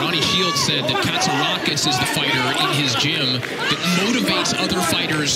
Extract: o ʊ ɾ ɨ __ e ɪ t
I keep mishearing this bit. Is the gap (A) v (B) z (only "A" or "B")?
A